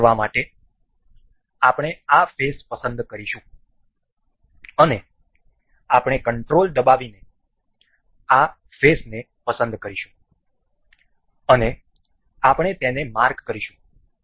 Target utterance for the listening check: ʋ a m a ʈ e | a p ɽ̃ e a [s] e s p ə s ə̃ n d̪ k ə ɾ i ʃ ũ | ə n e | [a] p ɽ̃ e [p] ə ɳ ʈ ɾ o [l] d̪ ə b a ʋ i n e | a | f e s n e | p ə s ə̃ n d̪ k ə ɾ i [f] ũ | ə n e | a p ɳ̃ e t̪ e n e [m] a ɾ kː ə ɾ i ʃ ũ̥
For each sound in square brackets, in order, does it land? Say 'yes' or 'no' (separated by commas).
no, yes, no, yes, no, yes